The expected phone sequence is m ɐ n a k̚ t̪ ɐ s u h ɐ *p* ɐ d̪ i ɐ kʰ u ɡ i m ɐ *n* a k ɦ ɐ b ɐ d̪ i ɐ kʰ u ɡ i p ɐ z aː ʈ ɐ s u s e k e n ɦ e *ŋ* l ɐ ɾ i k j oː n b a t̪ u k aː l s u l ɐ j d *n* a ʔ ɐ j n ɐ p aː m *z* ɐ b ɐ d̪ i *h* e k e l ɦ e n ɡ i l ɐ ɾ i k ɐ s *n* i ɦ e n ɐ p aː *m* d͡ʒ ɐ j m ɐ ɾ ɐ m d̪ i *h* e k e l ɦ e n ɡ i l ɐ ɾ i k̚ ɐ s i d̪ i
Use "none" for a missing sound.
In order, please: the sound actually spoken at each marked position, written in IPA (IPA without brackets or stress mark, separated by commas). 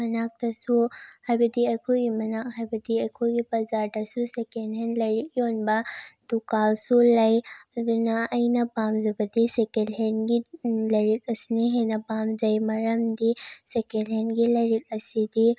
b, n, n, n, z, s, n, m, s